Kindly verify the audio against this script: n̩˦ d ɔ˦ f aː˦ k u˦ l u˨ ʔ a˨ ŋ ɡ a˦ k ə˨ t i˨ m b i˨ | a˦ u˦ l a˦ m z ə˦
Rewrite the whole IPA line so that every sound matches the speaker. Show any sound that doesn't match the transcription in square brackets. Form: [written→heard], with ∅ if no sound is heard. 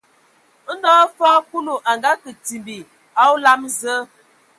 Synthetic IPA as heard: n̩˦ d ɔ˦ f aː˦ k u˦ l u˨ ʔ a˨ ŋ ɡ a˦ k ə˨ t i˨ m b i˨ | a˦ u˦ l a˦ m z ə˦